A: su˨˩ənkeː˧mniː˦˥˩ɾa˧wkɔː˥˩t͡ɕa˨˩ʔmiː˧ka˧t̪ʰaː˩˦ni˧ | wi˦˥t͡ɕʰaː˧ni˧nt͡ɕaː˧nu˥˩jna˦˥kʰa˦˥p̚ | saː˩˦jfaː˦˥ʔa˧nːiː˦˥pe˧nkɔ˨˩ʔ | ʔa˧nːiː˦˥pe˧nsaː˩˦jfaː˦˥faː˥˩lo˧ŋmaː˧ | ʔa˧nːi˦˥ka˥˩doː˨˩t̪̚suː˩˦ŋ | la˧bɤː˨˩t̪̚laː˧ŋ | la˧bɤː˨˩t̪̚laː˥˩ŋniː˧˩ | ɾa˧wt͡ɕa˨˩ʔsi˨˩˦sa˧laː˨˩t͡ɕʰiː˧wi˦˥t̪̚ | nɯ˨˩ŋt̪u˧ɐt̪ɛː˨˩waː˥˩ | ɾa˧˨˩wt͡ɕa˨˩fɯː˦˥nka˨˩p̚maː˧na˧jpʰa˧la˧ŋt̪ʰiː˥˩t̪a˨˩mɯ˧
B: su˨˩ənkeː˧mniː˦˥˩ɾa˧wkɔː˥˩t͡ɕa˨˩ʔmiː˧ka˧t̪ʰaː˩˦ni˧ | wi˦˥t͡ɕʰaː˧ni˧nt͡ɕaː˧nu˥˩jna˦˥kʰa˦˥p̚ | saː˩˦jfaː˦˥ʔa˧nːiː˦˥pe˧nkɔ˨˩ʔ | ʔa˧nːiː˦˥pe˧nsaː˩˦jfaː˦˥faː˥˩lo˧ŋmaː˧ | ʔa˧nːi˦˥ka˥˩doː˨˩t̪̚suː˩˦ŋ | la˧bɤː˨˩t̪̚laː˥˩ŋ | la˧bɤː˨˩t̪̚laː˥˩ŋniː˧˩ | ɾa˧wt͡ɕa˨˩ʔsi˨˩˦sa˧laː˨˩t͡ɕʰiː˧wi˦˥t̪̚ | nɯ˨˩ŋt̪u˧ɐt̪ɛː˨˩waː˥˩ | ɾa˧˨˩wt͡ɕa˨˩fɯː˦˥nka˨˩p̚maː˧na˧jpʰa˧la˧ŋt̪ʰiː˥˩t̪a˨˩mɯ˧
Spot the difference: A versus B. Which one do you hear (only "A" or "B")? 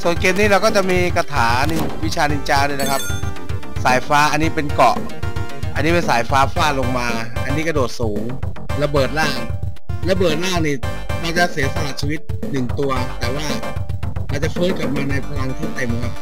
B